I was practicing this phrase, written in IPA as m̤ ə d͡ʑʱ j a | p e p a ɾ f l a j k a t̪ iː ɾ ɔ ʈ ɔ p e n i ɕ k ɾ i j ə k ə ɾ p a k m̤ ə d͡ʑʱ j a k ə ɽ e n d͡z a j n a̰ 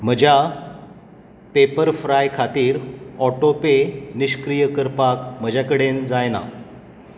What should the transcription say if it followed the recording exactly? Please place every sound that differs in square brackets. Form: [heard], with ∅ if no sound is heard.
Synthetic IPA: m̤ ə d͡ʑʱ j a | p e p [ə] ɾ f [ɾ] a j [kʰ] a t̪ iː ɾ ɔ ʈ [o] p e n i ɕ k ɾ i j ə k ə ɾ p a k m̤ ə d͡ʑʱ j a k ə ɽ e n d͡z a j n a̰